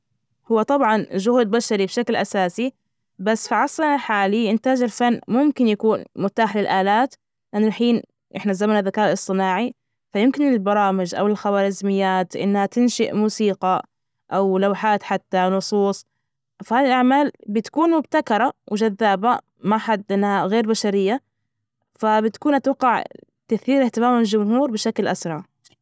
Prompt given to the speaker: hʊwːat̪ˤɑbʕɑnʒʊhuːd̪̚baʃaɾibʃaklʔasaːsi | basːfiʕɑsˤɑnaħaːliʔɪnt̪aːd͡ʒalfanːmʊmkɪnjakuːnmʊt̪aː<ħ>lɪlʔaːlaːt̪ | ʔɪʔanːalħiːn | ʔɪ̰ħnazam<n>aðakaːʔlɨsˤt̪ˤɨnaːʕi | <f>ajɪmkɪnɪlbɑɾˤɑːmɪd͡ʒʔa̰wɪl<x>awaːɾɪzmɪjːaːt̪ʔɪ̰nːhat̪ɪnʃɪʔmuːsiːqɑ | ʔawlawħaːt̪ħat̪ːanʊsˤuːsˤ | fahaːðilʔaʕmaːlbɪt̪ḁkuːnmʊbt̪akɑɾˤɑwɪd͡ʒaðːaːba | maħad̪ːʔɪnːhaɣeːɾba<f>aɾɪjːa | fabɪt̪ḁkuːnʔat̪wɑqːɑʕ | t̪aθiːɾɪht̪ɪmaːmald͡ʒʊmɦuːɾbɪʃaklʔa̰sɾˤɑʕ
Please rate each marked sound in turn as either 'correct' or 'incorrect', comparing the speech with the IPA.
correct, correct, correct, correct, incorrect: ʃ

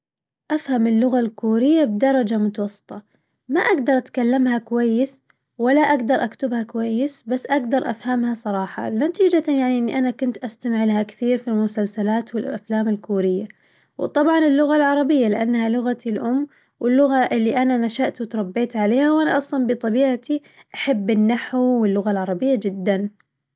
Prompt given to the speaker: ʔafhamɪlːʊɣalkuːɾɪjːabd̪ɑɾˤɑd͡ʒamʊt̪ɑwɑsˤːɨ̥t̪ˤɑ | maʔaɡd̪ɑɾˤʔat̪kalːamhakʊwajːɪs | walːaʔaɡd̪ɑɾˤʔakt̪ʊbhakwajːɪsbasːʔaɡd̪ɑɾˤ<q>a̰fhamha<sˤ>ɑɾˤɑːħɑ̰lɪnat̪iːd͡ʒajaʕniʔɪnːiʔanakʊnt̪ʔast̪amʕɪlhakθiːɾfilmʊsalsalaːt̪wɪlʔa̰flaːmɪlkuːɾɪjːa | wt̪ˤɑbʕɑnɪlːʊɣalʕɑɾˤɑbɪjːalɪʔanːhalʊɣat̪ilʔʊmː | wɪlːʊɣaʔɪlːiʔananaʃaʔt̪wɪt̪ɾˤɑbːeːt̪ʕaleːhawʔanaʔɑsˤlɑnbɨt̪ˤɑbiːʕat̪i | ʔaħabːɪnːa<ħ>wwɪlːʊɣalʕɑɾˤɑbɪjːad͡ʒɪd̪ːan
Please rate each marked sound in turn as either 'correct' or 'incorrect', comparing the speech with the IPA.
incorrect: ʔ, correct, correct

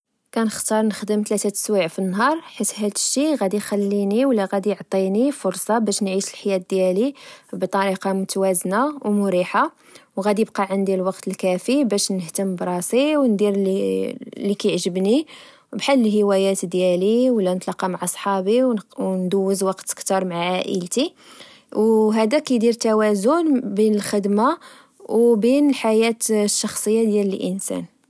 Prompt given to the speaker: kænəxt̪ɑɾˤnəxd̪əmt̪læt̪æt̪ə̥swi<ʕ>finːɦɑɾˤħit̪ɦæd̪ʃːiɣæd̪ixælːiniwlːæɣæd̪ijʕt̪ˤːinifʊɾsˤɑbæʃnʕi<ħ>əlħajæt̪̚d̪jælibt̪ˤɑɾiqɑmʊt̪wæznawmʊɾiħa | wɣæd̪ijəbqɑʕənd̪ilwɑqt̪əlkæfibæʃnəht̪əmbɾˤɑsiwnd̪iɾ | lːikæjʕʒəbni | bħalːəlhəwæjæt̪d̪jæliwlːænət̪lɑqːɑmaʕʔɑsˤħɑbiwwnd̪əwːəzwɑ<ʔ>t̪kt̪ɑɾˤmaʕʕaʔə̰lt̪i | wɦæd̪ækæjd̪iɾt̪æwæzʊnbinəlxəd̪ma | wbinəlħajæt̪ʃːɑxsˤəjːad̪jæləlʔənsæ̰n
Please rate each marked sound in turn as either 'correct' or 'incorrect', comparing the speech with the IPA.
correct, incorrect: ʃ, incorrect: q

